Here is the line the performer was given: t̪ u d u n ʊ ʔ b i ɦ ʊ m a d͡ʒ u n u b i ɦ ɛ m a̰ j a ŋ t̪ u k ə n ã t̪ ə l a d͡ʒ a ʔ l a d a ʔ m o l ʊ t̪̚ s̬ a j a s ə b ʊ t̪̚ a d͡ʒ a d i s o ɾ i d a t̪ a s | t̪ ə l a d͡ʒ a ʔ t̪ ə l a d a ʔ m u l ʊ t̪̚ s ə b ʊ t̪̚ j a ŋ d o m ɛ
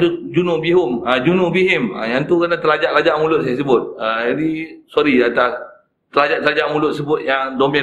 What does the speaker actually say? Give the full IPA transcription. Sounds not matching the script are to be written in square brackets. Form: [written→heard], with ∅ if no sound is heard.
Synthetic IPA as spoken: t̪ u [d→d͡ʒ] u n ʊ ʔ b i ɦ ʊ m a d͡ʒ u n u b i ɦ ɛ m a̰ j a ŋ t̪ u k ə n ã t̪ ə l a d͡ʒ a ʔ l a [d→d͡ʒ] a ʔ m [o→u] l ʊ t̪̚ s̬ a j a s ə b ʊ t̪̚ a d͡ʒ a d i s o ɾ i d a t̪ a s | t̪ ə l a d͡ʒ a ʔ t̪ ə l a [d→d͡ʒ] a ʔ m u l ʊ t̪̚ s ə b ʊ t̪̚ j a ŋ d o m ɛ